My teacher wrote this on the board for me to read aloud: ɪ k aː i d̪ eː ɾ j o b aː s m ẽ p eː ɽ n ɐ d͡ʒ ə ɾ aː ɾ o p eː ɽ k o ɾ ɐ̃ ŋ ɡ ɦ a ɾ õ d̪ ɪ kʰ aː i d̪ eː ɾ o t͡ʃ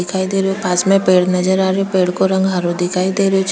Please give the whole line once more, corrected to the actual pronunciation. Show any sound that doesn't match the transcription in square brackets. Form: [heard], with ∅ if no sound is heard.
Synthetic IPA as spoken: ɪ [kʰ] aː i d̪ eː ɾ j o [p] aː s m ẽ p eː ɽ n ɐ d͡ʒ ə ɾ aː ɾ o p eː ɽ k o ɾ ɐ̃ ŋ ɡ ɦ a ɾ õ d̪ ɪ kʰ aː i d̪ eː ɾ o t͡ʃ